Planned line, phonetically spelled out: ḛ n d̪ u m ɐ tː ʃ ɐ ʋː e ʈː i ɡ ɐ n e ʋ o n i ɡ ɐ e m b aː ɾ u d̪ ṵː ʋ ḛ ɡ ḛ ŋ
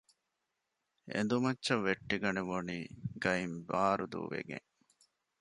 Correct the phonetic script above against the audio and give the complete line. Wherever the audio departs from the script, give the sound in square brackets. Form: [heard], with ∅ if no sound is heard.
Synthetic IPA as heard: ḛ n d̪ u m ɐ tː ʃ ɐ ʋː e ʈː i ɡ ɐ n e ʋ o n [iː] ɡ ɐ [i] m b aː ɾ u d̪ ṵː ʋ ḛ ɡ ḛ ŋ